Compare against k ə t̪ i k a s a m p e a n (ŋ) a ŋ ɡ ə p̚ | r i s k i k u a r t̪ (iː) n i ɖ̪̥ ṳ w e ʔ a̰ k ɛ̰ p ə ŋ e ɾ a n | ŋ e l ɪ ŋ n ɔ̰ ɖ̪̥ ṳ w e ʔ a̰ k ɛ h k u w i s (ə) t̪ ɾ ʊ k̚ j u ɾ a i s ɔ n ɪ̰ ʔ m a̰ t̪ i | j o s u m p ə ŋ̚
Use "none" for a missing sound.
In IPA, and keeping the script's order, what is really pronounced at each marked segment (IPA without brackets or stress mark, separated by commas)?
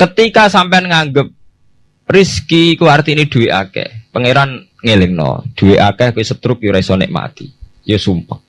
ŋ, i, ə